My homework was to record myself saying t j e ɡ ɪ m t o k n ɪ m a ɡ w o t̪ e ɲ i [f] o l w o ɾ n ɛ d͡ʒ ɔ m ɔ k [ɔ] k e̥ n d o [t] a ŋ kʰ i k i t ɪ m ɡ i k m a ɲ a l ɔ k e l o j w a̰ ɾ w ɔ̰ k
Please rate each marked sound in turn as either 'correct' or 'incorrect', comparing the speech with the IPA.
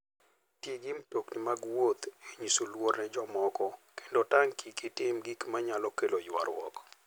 incorrect: s, correct, correct

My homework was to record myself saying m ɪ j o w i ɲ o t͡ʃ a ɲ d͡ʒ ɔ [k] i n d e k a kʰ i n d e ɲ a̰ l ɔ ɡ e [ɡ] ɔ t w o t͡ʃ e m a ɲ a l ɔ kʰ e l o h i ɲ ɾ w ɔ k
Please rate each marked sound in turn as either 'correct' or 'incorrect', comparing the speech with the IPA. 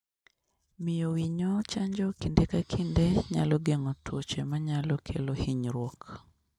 correct, incorrect: ŋ

